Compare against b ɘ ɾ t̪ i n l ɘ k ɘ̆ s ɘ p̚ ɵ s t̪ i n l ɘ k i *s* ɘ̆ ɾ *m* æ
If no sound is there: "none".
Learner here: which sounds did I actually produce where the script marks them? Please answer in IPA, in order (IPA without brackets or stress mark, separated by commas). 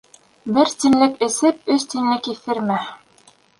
θ, m